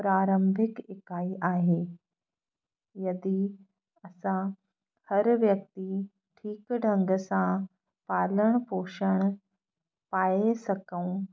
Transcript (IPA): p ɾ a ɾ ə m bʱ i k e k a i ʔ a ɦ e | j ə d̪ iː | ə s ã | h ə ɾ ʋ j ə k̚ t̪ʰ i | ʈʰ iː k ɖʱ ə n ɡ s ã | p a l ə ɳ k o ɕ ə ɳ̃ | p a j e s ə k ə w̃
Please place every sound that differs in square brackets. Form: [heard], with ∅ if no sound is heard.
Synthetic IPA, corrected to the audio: p ɾ a ɾ ə m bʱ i k e k a i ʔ a ɦ e | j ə d̪ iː | ə s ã | h ə ɾ ʋ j ə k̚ [t̪] i | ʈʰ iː k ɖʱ ə [ŋ] ɡ s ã | p a l ə ɳ [p] o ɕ ə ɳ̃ | p a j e s ə k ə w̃